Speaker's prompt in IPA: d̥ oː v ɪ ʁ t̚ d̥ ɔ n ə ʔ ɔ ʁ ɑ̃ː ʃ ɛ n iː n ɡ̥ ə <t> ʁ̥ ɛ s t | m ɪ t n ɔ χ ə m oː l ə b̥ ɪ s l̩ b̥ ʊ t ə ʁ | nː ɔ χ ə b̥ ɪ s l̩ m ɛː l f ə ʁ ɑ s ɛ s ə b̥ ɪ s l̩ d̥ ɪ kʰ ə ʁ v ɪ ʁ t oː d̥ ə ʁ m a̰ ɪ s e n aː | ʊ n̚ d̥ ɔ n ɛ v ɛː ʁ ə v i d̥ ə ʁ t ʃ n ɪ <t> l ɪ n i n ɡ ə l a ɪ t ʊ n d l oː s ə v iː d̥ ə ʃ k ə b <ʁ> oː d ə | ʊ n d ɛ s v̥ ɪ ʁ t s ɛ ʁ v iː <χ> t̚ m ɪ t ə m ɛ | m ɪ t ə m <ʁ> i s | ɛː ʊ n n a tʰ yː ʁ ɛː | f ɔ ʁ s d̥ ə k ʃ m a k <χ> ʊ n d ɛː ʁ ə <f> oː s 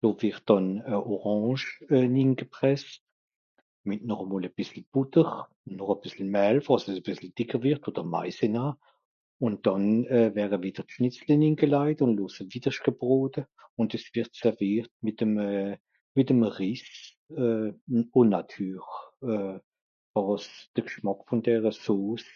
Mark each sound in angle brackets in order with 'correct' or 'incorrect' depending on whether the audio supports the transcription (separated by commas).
incorrect, incorrect, correct, incorrect, correct, incorrect, incorrect